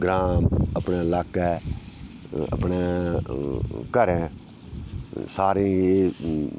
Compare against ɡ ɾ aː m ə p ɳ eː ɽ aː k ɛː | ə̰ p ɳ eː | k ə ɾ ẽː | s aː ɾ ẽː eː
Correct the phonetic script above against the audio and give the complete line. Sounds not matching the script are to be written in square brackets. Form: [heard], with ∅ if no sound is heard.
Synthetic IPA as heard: ɡ ɾ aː m ə p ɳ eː [l] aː k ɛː | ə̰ p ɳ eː | k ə ɾ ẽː | s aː ɾ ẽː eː

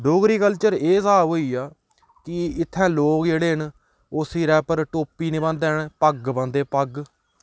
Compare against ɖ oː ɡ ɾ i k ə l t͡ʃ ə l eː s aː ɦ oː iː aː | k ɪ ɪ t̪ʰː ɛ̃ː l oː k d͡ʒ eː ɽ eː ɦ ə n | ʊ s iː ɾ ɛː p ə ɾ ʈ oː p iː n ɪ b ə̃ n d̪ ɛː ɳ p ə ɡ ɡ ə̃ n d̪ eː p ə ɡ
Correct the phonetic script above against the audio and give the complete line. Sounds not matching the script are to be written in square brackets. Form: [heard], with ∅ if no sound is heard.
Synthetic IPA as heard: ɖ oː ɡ ɾ [iː] k ə l t͡ʃ ə [ɾ] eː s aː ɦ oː iː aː | k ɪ ɪ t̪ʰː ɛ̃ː l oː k d͡ʒ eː ɽ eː ɦ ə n | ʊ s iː ɾ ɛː p ə ɾ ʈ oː p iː n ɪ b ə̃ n d̪ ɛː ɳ p ə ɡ [b] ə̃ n d̪ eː p ə ɡ

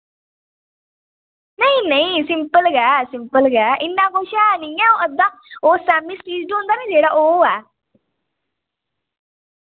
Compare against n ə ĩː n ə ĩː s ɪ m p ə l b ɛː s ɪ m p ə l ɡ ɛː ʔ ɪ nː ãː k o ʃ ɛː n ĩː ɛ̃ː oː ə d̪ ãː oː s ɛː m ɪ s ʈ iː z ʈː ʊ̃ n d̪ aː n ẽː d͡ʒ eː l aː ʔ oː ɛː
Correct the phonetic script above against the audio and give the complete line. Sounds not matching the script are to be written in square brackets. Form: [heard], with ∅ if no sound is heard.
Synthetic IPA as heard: n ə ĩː n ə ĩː s ɪ m p ə l [ɡ] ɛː s ɪ m p ə l ɡ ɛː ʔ ɪ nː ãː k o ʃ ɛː n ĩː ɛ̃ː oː ə d̪ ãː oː s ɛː m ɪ s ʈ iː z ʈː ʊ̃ n d̪ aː n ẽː d͡ʒ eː [ɽ] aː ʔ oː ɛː

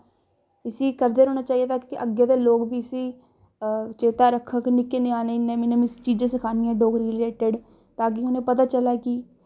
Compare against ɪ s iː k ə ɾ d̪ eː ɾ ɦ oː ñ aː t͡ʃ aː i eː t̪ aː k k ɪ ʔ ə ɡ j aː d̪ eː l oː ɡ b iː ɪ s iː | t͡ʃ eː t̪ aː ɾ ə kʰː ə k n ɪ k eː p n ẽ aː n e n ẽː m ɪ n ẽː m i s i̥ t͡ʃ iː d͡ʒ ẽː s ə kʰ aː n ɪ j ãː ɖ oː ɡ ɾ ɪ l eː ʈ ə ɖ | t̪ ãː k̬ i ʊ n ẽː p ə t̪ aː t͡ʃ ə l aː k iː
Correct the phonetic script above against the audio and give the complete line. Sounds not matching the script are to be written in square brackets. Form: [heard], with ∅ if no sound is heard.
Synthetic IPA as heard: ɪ s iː k ə ɾ d̪ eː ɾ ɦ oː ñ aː t͡ʃ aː i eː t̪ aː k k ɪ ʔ ə ɡ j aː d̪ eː l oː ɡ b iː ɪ s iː | t͡ʃ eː t̪ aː ɾ ə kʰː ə k n ɪ k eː [∅] n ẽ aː n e n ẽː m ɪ n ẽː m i s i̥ t͡ʃ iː d͡ʒ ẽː s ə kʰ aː n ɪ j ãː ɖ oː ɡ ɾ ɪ l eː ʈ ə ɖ | t̪ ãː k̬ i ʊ n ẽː p ə t̪ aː t͡ʃ ə l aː k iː

